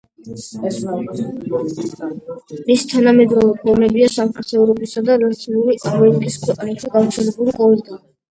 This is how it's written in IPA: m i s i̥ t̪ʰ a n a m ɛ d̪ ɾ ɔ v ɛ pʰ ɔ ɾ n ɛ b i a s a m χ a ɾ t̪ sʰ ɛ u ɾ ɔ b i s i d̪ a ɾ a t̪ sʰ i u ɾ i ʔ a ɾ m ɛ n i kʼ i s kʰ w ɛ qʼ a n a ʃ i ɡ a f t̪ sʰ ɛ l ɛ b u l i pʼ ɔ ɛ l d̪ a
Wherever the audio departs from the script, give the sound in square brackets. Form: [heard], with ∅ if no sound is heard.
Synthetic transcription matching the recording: m i s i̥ t̪ʰ a n a m ɛ d̪ ɾ ɔ v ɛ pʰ ɔ ɾ [m] ɛ b i a s a m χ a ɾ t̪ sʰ ɛ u ɾ ɔ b i s [a] d̪ a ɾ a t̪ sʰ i u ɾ i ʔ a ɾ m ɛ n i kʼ i s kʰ w ɛ qʼ a n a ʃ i ɡ a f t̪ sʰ ɛ l ɛ b u l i [qʼ] ɔ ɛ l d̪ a